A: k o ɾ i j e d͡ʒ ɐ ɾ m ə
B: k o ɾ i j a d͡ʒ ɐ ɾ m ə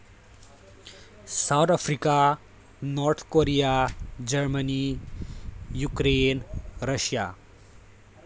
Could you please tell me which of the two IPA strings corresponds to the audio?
B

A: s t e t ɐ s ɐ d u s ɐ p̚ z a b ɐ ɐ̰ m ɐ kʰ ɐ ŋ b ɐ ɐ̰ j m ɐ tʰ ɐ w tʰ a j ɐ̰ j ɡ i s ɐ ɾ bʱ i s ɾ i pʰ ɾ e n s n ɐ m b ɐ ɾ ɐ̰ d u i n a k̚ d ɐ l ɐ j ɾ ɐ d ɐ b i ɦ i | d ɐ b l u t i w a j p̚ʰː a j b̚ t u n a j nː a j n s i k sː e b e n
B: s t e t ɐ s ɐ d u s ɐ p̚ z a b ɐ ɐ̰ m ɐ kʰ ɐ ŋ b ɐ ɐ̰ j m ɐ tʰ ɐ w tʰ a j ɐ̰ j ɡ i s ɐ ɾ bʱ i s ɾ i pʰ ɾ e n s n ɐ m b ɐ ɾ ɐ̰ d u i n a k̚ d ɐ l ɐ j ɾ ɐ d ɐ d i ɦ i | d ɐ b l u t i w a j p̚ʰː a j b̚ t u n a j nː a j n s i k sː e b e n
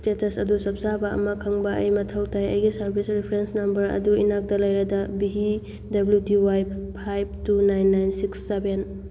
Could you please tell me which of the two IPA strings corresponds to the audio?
A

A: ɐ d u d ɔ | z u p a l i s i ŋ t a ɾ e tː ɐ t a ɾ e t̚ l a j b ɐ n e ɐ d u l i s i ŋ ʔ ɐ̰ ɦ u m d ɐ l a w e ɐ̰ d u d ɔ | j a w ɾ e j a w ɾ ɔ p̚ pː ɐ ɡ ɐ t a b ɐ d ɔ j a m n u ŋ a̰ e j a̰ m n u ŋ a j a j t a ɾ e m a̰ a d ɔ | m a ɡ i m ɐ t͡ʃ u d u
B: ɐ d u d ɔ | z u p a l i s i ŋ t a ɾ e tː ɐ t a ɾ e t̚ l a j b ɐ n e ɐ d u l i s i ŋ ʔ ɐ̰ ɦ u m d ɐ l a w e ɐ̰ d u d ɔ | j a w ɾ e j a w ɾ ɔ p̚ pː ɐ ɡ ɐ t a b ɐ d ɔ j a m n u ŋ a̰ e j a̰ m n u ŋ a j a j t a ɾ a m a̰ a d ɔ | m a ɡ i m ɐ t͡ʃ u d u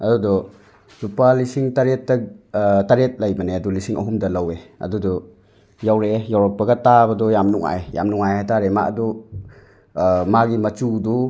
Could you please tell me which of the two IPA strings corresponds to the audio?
A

